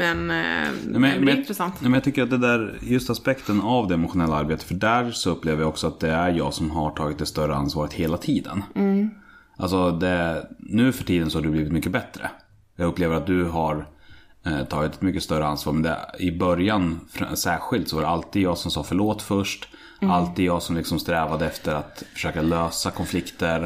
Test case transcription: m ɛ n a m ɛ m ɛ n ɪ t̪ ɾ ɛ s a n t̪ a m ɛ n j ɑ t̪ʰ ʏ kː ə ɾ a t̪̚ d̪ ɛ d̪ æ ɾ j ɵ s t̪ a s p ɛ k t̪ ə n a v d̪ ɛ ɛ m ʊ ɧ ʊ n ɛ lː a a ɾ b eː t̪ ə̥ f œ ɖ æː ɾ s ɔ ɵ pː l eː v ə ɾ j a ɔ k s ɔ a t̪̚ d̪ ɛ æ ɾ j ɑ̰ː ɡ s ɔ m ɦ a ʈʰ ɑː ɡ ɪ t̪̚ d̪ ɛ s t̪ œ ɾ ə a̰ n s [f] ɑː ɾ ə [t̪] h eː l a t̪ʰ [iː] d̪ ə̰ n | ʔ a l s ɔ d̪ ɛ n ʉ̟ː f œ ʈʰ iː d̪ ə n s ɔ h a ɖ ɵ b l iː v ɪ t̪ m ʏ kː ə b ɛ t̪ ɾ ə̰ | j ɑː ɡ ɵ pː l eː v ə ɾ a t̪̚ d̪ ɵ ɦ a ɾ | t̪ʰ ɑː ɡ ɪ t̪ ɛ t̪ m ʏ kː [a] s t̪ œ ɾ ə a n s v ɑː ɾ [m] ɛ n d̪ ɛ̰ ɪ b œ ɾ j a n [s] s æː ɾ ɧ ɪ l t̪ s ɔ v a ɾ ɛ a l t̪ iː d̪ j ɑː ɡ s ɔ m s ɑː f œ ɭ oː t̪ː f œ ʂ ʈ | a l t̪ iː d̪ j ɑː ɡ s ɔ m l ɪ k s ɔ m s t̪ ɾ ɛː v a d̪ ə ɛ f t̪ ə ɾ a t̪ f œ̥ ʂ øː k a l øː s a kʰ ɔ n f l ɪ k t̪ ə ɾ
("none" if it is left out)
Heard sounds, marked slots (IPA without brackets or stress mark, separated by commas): v, t̪, iː, ə, m, f